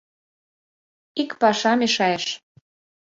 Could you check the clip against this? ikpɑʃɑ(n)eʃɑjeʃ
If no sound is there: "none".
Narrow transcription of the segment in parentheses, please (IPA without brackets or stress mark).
m